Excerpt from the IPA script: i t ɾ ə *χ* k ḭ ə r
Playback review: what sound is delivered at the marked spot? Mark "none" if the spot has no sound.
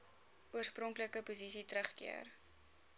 χ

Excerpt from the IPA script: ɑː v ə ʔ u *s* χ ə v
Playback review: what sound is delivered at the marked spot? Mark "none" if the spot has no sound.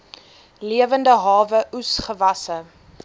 s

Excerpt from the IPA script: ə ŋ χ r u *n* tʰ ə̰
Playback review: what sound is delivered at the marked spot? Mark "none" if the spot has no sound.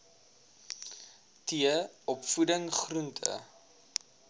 n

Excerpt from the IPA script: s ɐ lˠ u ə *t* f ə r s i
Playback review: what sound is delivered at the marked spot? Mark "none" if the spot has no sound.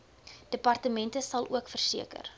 k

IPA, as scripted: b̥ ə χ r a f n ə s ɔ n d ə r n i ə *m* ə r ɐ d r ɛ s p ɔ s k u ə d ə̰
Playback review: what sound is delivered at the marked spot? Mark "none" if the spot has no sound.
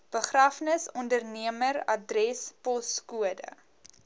m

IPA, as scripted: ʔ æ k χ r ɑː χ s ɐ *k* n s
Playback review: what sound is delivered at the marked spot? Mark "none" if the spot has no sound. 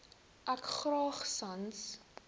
none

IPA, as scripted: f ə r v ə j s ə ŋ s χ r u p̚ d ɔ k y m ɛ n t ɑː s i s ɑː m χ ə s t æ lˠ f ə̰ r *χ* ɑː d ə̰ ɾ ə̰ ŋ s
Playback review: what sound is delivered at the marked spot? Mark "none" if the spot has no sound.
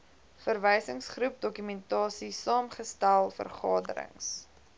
χ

